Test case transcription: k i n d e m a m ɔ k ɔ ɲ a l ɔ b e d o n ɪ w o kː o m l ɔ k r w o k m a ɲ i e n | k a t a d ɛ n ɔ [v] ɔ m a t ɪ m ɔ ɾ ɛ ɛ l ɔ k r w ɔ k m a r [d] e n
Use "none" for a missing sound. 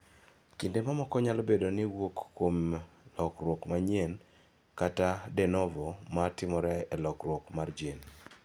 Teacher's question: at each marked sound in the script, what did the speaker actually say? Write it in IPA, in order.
v, d͡ʒ

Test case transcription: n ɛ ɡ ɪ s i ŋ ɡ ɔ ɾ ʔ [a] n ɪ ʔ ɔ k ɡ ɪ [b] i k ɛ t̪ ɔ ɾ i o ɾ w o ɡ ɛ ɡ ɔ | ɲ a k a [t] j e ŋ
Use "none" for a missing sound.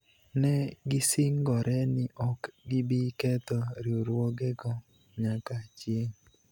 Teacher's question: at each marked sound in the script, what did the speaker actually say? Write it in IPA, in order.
ɛ, b, t͡ʃ

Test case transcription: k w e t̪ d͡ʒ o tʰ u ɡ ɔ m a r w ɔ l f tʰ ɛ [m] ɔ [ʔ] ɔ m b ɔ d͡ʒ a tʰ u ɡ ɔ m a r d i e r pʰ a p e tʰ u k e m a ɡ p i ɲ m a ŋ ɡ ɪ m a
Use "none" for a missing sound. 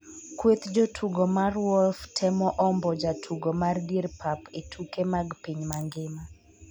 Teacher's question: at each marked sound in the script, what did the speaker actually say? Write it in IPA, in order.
m, ʔ

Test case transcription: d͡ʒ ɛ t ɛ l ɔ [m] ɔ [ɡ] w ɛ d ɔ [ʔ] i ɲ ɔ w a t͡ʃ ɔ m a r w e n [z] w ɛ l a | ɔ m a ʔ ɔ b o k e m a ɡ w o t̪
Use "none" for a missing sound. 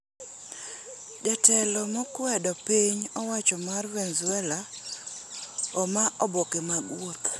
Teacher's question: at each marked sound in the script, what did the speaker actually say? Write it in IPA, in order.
m, k, p, z

